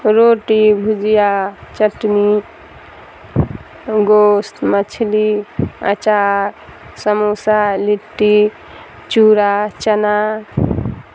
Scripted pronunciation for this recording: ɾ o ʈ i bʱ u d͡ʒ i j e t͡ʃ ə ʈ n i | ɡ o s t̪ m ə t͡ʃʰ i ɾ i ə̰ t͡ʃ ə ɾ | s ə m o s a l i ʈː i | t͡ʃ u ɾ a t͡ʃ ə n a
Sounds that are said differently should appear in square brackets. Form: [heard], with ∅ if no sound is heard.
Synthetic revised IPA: ɾ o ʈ i bʱ u d͡ʒ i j [a] t͡ʃ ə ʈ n i | ɡ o s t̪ m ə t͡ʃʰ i [l] i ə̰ t͡ʃ [a] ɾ | s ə m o s a l i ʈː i | t͡ʃ u ɾ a t͡ʃ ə n a